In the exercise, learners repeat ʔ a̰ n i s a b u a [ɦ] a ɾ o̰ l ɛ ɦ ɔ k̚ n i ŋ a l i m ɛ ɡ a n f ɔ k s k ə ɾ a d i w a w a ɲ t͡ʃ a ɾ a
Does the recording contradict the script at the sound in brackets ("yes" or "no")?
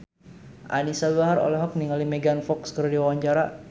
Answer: no